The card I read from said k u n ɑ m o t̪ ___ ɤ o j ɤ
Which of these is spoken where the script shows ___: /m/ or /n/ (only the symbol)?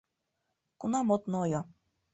n